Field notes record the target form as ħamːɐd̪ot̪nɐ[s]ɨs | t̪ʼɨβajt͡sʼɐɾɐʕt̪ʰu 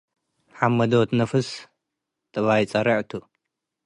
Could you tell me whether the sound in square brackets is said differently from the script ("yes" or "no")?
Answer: yes